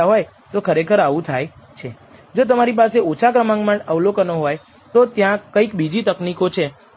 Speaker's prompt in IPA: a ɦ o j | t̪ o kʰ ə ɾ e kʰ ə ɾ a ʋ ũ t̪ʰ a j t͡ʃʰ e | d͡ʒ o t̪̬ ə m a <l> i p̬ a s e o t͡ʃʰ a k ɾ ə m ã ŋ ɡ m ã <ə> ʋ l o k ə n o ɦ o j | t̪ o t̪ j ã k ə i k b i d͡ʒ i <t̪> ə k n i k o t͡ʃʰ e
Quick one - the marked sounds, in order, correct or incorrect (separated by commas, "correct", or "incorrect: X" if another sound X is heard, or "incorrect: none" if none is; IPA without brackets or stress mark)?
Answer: incorrect: ɾ, correct, correct